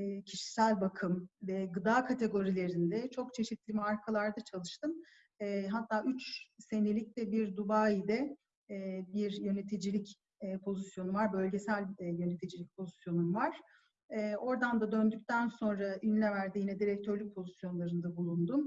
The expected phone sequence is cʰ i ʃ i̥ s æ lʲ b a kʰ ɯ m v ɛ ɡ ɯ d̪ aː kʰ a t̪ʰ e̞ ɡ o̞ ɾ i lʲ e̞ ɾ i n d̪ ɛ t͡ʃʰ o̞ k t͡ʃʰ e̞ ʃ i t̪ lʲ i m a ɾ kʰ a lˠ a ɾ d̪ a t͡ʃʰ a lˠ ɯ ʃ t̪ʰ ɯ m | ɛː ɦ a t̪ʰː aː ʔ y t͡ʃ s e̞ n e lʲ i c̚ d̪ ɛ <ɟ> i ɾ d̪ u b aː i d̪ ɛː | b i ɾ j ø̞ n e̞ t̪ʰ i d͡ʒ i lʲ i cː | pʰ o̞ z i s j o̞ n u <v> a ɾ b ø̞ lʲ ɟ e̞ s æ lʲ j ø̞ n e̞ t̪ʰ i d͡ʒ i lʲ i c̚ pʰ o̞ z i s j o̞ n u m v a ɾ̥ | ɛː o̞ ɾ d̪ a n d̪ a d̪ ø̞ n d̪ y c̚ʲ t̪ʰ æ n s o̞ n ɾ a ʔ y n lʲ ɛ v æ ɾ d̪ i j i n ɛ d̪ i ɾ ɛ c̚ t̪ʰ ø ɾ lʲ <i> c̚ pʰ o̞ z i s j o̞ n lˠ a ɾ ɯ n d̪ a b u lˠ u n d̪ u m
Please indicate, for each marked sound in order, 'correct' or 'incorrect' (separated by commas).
incorrect, correct, incorrect